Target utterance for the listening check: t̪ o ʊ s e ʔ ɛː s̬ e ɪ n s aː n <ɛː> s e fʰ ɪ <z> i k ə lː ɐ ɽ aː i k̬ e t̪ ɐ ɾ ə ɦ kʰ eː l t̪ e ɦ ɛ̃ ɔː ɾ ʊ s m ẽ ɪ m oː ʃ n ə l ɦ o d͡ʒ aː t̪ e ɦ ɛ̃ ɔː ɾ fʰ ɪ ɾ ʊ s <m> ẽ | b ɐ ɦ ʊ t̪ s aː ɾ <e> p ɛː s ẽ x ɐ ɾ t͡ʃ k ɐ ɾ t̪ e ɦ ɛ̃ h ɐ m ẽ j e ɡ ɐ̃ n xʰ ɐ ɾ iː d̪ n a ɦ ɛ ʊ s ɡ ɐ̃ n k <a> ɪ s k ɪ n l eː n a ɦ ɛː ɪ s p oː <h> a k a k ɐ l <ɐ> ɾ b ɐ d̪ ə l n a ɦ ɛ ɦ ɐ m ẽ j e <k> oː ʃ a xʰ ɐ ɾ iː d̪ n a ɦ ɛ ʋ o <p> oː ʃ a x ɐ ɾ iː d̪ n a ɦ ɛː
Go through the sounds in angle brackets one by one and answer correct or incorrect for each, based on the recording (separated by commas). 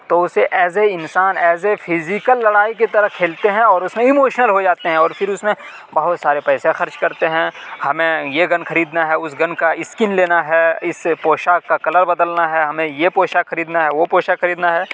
correct, correct, correct, correct, correct, incorrect, incorrect, incorrect, correct